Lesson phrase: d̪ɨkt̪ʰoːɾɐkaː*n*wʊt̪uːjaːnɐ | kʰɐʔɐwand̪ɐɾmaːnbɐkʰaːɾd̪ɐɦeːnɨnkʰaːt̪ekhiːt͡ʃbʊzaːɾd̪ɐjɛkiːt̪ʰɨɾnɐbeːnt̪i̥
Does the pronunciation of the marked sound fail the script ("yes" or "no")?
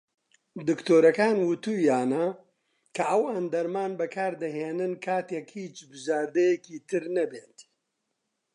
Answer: no